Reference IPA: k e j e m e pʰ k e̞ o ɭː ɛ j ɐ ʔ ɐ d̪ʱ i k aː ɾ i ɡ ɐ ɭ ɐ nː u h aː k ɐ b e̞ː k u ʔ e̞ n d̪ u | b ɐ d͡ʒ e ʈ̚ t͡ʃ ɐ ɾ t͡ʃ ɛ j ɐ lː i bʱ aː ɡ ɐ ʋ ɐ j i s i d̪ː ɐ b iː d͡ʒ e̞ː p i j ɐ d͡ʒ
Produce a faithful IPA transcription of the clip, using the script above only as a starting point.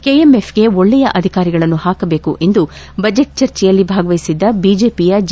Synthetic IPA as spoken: k e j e m e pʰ ɡ e̞ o ɭː ɛ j ɐ ʔ ɐ d̪ʱ i k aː ɾ i ɡ ɐ ɭ ɐ nː u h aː k ɐ b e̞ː k u ʔ e̞ n d̪ u | b ɐ d͡ʒ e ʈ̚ t͡ʃ ɐ ɾ t͡ʃ ɛ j ɐ lː i bʱ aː ɡ ɐ ʋ ɐ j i s i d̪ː ɐ b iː d͡ʒ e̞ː p i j ɐ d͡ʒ

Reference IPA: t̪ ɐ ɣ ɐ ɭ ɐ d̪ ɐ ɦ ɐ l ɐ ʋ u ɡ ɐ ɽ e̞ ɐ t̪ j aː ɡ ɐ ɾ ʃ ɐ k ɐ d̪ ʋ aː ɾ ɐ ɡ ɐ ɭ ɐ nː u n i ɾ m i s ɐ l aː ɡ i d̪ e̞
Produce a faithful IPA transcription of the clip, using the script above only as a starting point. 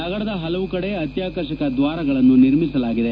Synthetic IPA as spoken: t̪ ɐ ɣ ɐ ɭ ɐ d̪ ɐ ɦ ɐ l ɐ ʋ u k ɐ ɽ e̞ ɐ t̪ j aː k ɐ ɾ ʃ ɐ k ɐ d̪ ʋ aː ɾ ɐ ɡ ɐ ɭ ɐ nː u n i ɾ m i s ɐ l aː ɡ i d̪ e̞

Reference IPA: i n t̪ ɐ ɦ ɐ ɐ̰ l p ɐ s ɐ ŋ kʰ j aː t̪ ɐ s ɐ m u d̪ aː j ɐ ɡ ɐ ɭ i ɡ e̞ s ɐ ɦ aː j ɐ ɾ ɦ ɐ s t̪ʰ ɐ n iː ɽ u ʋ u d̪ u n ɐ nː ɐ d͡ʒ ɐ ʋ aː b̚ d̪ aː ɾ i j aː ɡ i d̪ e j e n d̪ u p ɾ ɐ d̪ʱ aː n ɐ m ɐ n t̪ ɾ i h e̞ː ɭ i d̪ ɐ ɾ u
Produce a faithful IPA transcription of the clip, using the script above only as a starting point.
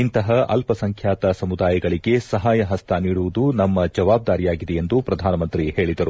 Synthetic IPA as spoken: i n t̪ ɐ ɦ ɐ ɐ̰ l p ɐ s ɐ ŋ kʰ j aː t̪ ɐ s ɐ m u d̪ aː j ɐ ɡ ɐ ɭ i ɡ e̞ s ɐ ɦ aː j ɐ ɦ ɐ s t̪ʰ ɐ n iː ɽ u ʋ u d̪ u n ɐ mː ɐ d͡ʒ ɐ ʋ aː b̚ d̪ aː ɾ i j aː ɡ i d̪ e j e n d̪ u p ɾ ɐ d̪ʱ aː n ɐ m ɐ n t̪ ɾ i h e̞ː ɭ i d̪ ɐ ɾ u

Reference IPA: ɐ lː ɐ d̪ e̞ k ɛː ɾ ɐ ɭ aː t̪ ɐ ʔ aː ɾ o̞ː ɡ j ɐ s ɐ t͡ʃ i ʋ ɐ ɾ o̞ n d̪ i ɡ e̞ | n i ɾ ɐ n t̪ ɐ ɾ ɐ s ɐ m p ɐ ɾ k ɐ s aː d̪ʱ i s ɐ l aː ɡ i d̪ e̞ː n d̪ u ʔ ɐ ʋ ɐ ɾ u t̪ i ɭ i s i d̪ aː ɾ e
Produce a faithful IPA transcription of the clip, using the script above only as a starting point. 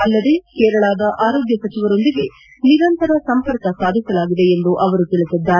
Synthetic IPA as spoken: ɐ lː ɐ d̪ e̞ k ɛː ɾ ɐ ɭ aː d̪ ɐ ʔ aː ɾ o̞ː ɡ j ɐ s ɐ t͡ʃ i ʋ ɐ ɾ o̞ n d̪ i ɡ e̞ | n i ɾ ɐ n t̪ ɐ ɾ ɐ s ɐ m p ɐ ɾ k ɐ s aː d̪ʱ i s ɐ l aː ɡ i d̪ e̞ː n d̪ u ʔ ɐ ʋ ɐ ɾ u t̪ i ɭ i s i d̪ː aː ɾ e

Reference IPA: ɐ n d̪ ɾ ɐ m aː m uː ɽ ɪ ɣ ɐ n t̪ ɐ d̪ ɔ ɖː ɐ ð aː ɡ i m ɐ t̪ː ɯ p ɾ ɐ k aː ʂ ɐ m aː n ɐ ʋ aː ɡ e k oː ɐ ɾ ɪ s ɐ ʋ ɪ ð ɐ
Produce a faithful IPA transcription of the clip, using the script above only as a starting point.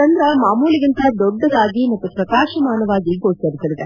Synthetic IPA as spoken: ɐ n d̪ ɾ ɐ m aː m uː l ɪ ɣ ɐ n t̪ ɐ d̪ ɔ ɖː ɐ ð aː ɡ i m ɐ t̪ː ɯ p ɾ ɐ k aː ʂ ɐ m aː n ɐ ʋ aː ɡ i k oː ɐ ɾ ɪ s ɐ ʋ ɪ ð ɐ

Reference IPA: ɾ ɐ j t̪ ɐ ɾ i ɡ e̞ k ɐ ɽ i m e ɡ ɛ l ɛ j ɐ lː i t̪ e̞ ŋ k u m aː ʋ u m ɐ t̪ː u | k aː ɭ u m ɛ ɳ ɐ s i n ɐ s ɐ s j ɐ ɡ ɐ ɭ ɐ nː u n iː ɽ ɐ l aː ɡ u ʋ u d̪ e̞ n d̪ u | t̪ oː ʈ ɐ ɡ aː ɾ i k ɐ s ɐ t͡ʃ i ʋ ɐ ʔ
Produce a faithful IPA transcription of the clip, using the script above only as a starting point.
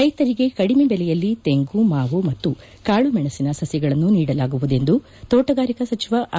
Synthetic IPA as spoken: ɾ ɐ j t̪ ɐ ɾ i ɡ e̞ k ɐ ɽ i m e b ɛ l ɛ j ɐ lː i t̪ e̞ ŋ ɡ u m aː ʋ u m ɐ t̪ː u | k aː ɭ u m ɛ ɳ ɐ s i n ɐ s ɐ s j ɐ ɡ ɐ ɭ ɐ nː u n iː ɽ ɐ l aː ɡ u ʋ u d̪ e̞ n d̪ u | t̪ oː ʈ ɐ ɡ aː ɾ i k ɐ s ɐ t͡ʃ i ʋ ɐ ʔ

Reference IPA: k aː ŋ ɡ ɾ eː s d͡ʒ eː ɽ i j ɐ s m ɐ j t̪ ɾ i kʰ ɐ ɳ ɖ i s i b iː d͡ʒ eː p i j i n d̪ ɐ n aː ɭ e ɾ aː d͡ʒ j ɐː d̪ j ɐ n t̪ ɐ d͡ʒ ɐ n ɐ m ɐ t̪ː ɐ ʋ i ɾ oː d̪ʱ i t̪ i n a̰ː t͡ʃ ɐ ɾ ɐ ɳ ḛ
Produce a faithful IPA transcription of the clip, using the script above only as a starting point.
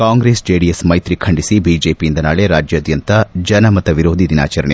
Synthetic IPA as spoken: k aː ŋ ɡ ɾ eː s d͡ʒ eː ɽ i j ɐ s m ɐ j t̪ ɾ i kʰ ɐ ɳ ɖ i s i b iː d͡ʒ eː p i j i n d̪ ɐ n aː ɭ e ɾ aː d͡ʒ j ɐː d̪ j ɐ n t̪ ɐ d͡ʒ ɐ n ɐ m ɐ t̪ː ɐ ʋ i ɾ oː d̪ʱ i d̪ i n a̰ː t͡ʃ ɐ ɾ ɐ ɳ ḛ

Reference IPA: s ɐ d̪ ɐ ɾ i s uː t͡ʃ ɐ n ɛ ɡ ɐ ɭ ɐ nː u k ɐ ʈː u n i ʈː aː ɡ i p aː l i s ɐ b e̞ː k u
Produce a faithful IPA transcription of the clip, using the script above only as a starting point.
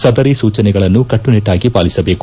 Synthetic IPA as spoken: s ɐ d̪ ɐ ɾ i s uː t͡ʃ ɐ n ɛ ɡ ɐ ɭ ɐ nː u k ɐ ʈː u n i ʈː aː ɡ i p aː l i s ɐ b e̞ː k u

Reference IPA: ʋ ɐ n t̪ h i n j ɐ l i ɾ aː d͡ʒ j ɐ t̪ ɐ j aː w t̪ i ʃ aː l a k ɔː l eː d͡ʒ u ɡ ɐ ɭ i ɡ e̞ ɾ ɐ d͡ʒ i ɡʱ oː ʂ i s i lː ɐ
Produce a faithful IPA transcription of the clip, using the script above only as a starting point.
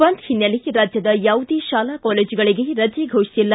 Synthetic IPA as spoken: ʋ ɐ n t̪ h i n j ɐ l i ɾ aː d͡ʒ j ɐ d̪ ɐ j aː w d̪ i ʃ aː l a k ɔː l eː d͡ʒ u ɡ ɐ ɭ i ɡ e̞ ɾ ɐ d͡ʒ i ɡʱ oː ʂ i s i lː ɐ

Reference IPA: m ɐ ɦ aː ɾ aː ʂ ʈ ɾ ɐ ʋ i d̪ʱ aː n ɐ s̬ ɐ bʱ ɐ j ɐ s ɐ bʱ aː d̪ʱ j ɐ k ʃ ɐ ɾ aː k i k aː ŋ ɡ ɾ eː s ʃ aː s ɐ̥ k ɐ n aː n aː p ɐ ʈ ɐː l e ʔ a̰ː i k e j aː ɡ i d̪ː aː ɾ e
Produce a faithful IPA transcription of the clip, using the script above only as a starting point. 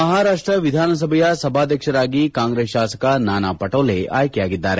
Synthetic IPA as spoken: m ɐ ɦ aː ɾ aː ʂ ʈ ɾ ɐ ʋ i d̪ʱ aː n ɐ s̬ ɐ bʱ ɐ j ɐ s ɐ bʱ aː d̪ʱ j ɐ k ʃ ɐ ɾ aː ɡ i k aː ŋ ɡ ɾ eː s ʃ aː s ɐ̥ k ɐ n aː n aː p ɐ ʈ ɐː l e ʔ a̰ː j k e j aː ɡ i d̪ː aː ɾ e

